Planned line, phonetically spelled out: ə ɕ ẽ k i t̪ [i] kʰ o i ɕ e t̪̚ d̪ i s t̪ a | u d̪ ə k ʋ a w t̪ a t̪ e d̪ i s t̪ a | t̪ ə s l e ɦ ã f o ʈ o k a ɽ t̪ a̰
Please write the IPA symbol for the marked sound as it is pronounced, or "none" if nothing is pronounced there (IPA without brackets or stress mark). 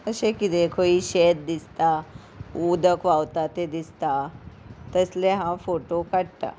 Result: e